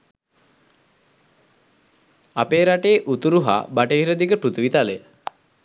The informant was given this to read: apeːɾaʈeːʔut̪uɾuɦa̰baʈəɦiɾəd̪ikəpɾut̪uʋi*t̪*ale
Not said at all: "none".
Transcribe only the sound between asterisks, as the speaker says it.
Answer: t̪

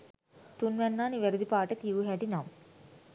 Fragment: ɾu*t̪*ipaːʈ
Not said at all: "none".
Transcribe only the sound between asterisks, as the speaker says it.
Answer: d̪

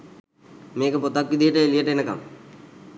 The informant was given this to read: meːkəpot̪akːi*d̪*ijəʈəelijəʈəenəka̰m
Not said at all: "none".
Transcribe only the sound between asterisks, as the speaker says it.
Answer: d̪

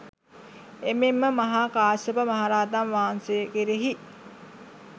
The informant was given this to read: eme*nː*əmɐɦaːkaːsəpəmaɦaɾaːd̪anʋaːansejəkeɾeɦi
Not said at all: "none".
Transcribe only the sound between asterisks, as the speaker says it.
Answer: mː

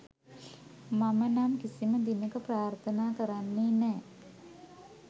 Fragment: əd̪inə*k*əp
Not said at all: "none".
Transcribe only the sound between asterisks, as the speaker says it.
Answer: k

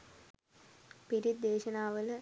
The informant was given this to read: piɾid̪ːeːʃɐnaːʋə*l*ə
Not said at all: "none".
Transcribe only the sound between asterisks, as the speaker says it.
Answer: l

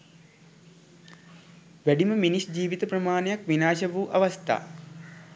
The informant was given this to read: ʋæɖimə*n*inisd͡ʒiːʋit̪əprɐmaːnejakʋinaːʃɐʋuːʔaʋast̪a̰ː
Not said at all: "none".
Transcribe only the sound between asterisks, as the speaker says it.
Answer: m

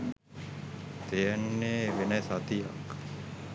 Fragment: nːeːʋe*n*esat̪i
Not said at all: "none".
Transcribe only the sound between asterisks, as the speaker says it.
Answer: n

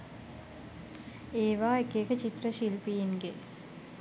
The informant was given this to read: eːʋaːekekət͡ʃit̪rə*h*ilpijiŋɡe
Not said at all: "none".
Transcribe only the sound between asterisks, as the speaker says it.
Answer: ʃ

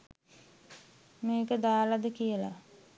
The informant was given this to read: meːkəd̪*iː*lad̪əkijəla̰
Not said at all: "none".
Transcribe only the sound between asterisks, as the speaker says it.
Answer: aː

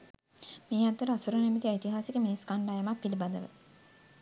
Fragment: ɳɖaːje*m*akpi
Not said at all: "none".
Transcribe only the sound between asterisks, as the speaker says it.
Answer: m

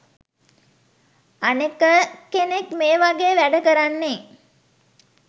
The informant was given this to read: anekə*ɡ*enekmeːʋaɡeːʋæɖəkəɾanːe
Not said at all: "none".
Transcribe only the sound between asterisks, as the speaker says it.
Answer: k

